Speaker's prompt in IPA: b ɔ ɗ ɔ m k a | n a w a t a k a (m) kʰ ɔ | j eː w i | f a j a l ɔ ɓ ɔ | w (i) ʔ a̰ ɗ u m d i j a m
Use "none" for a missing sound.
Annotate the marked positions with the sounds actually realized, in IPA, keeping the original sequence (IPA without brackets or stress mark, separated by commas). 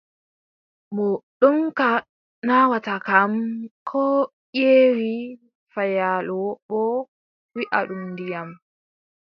m, i